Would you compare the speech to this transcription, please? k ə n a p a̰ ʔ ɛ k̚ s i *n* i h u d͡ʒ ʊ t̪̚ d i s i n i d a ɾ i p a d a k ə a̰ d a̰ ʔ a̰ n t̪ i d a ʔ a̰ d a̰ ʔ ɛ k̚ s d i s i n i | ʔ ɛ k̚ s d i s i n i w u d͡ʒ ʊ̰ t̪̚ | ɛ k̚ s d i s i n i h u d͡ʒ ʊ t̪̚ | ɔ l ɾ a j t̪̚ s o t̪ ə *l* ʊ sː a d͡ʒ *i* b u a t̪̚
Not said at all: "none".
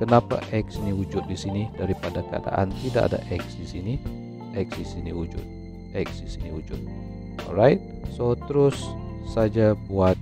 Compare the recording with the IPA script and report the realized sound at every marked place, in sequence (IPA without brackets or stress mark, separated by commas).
n, ɾ, a